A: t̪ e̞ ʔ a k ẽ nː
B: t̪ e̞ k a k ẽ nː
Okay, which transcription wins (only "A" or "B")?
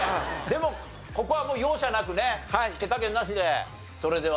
B